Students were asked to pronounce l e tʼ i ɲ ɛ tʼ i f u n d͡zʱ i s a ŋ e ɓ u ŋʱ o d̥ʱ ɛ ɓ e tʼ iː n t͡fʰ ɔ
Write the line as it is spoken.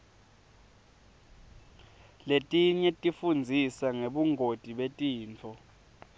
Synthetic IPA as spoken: l e tʼ i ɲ ɛ tʼ i f u n d͡zʱ i s a ŋ e ɓ u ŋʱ o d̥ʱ i ɓ e tʼ iː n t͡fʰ ɔ